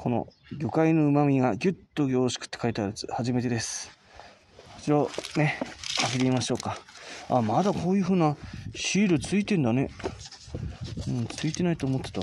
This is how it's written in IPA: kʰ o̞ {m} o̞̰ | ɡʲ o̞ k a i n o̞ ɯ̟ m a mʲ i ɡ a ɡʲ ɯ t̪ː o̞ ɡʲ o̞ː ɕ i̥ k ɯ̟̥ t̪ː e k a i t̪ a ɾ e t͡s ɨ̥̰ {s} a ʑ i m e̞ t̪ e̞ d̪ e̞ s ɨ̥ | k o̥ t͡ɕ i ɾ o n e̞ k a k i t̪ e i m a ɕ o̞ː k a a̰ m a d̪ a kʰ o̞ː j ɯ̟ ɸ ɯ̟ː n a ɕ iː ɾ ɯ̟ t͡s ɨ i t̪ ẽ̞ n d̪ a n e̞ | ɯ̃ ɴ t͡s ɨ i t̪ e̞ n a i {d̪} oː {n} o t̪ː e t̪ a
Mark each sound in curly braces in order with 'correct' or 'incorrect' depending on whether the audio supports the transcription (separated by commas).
incorrect, incorrect, incorrect, incorrect